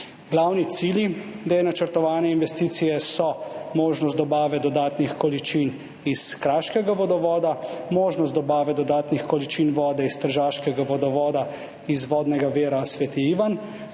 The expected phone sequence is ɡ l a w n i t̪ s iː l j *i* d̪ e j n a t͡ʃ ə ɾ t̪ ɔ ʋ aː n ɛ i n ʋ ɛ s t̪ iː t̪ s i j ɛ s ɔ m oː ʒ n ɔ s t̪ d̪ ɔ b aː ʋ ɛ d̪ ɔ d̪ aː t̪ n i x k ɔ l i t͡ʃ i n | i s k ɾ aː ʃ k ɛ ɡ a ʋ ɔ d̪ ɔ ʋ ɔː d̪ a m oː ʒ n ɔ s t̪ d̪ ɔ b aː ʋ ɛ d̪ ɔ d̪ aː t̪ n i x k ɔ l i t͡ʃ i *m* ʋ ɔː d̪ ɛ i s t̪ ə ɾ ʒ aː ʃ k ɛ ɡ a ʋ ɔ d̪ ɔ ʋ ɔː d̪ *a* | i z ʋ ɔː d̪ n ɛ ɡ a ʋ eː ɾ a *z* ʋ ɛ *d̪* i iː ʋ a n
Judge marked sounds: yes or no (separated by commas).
yes, no, yes, no, no